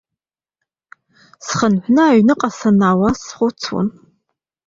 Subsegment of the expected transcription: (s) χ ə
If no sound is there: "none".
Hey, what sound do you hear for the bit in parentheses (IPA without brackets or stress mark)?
s